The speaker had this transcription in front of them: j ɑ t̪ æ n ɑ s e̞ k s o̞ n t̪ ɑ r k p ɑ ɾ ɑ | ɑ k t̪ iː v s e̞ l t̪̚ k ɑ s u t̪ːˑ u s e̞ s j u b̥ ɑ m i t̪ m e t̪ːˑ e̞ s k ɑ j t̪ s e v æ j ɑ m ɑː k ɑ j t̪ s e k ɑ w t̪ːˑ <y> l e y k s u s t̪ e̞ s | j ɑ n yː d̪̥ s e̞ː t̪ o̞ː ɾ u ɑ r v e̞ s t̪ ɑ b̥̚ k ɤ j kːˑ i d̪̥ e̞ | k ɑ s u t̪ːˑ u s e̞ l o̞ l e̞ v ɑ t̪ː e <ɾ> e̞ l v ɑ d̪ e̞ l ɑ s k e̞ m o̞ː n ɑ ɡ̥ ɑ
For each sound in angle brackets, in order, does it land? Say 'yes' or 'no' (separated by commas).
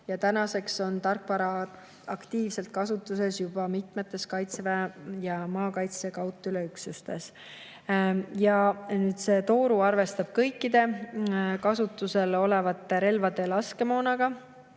yes, yes